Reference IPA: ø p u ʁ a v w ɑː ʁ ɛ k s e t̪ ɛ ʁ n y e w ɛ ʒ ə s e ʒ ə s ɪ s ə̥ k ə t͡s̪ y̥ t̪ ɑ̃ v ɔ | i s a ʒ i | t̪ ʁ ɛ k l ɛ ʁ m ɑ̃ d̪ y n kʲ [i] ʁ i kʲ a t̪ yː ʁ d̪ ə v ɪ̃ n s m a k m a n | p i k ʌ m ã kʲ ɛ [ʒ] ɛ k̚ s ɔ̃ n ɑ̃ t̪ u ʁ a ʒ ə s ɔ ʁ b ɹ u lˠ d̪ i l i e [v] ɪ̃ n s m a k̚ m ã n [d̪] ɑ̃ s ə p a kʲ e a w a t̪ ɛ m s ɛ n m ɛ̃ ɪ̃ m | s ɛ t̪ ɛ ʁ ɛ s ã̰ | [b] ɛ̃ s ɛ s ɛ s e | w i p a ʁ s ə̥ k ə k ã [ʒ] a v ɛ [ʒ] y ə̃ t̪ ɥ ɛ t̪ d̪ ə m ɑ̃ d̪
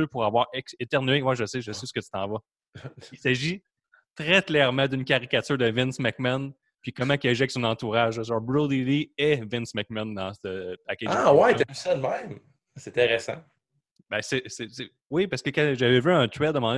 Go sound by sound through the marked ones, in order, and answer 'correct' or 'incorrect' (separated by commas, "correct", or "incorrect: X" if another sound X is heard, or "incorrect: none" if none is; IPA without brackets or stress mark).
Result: incorrect: a, correct, correct, correct, correct, correct, incorrect: v